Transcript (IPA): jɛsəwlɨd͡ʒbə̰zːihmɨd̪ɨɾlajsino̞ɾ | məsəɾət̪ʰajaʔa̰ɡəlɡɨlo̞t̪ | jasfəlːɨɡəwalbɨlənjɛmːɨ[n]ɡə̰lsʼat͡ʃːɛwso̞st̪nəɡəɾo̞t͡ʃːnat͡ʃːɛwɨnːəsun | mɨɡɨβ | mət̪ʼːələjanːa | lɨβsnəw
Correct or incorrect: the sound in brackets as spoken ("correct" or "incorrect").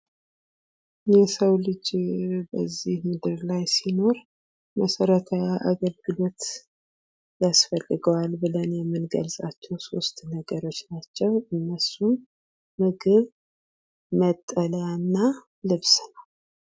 correct